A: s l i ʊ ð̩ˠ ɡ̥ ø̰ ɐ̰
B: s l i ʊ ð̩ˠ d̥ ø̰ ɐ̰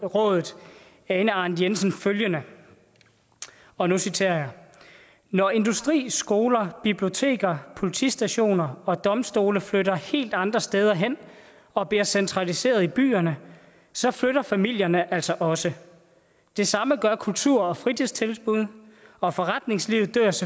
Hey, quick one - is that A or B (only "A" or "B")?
B